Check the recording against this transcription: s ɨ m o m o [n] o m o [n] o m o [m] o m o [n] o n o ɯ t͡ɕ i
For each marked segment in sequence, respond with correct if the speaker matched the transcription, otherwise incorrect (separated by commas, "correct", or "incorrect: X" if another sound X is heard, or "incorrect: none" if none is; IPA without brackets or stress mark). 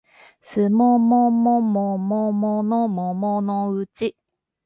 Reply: incorrect: m, incorrect: m, incorrect: n, incorrect: m